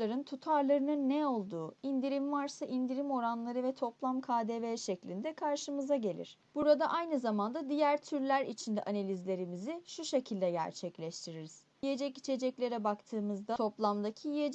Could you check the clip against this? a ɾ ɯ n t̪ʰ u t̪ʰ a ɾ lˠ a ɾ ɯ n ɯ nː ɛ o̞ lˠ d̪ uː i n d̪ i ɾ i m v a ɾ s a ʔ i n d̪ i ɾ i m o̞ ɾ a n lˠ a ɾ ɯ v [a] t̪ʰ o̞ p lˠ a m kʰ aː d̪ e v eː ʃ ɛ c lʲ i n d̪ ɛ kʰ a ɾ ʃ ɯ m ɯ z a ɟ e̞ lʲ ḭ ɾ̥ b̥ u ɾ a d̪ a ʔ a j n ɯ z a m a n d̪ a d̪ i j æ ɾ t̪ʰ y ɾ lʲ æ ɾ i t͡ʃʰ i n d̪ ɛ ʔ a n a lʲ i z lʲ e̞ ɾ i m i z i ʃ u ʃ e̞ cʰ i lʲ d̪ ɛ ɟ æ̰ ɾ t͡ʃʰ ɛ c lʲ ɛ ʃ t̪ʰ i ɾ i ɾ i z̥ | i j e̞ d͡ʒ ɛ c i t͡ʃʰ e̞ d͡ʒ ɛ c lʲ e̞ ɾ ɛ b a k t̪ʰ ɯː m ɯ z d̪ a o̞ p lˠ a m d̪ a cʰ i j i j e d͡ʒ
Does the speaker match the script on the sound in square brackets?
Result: no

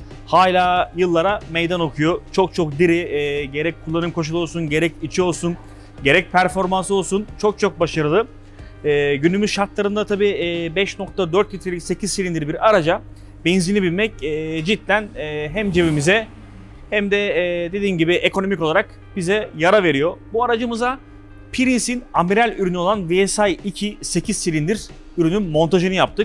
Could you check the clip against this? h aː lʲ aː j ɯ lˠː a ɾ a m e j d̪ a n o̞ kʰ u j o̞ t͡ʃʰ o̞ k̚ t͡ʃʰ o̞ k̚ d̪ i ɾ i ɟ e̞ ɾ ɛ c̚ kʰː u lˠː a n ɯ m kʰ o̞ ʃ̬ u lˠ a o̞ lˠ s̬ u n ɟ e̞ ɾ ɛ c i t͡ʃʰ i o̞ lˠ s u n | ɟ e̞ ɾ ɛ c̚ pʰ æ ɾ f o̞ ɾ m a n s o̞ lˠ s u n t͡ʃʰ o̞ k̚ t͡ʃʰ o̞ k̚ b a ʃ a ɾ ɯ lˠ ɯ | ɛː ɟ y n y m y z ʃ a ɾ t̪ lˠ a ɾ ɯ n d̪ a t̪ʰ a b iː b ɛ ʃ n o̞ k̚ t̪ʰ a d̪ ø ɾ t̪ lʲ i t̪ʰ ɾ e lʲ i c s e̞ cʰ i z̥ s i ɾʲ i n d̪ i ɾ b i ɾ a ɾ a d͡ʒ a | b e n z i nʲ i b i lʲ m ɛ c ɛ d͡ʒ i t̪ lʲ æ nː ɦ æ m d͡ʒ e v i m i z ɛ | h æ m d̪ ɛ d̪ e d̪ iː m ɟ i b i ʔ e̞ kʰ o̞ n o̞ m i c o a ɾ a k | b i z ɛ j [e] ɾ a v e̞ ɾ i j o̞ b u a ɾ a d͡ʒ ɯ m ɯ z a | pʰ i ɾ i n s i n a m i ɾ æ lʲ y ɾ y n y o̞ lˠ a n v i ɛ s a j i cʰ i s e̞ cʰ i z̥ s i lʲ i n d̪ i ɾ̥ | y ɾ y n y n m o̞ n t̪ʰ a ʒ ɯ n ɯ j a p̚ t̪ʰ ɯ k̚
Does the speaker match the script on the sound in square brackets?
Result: no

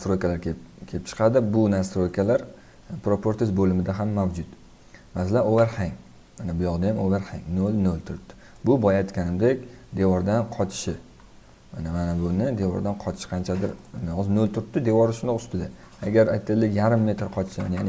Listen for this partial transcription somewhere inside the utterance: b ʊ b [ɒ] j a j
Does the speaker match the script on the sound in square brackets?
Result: yes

